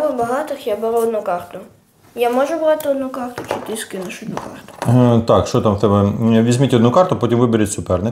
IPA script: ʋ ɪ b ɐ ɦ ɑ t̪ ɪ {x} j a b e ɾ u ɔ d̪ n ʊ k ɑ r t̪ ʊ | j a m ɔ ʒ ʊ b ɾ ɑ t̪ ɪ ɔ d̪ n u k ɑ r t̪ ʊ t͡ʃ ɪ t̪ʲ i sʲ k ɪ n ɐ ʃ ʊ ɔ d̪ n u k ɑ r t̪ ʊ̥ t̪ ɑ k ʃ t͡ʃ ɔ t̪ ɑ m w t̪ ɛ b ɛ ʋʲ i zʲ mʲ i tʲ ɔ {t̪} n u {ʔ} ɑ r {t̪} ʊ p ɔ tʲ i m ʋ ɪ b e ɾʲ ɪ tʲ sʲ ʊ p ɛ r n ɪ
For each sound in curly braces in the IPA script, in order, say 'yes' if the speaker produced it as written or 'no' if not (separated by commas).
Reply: yes, no, no, yes